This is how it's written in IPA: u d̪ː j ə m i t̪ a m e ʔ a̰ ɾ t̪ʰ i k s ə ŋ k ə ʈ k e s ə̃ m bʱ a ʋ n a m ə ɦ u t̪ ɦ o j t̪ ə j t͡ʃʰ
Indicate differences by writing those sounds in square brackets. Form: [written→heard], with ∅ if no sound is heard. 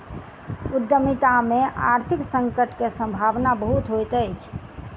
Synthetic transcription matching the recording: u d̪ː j ə m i t̪ a m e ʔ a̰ ɾ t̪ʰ i k s ə ŋ k ə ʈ k e s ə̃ m bʱ a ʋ n a [m→b] ə ɦ u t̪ ɦ o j t̪ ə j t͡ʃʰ